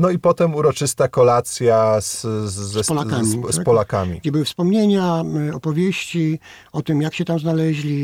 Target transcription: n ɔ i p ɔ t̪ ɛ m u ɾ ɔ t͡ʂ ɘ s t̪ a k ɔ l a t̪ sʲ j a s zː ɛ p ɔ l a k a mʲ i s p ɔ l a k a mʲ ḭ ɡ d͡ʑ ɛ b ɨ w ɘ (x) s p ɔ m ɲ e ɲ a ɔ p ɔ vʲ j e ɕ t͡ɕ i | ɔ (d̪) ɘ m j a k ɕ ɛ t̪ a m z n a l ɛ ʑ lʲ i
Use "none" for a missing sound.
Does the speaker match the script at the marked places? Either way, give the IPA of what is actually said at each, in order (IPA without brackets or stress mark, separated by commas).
f, t̪